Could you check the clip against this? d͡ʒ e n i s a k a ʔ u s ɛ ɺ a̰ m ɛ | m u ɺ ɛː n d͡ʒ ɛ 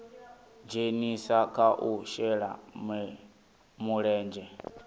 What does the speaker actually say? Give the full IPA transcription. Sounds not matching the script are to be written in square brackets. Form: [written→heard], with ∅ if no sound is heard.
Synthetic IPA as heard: d͡ʒ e n i s a k a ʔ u [s→ʃ] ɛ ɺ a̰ m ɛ | m u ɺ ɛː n d͡ʒ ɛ